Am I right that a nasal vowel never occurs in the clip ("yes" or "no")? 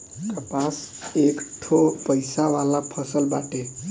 yes